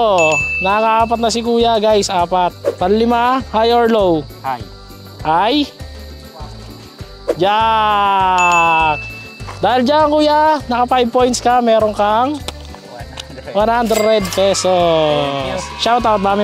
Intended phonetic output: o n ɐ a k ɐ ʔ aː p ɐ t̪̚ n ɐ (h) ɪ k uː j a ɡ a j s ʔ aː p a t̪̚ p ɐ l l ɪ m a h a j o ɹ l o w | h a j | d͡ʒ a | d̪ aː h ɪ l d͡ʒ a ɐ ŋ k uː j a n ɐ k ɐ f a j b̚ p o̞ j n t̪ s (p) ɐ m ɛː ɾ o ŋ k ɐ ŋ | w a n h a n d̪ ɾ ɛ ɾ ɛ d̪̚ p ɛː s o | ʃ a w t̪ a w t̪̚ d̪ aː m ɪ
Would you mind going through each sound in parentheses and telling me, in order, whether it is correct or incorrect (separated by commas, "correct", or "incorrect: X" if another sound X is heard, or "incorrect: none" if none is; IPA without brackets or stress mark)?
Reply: incorrect: s, incorrect: k